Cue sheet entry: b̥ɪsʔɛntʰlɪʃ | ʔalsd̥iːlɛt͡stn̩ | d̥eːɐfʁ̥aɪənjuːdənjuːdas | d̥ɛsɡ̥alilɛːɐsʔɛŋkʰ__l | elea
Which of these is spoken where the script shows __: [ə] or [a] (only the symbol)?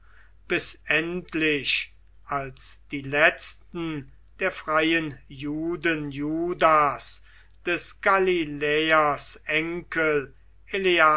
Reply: ə